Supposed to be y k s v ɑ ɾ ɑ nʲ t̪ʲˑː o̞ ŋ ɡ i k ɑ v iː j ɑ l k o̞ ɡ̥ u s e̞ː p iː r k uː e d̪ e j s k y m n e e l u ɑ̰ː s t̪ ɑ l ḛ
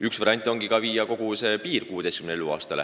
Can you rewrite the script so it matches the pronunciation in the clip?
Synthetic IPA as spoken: y k s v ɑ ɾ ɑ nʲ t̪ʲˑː o̞ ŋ ɡ i k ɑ v iː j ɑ k o̞ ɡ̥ u s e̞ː p iː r k uː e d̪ e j s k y m n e e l u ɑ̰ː s t̪ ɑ l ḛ